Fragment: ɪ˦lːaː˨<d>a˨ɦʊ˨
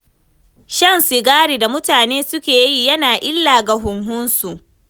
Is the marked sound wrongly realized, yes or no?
yes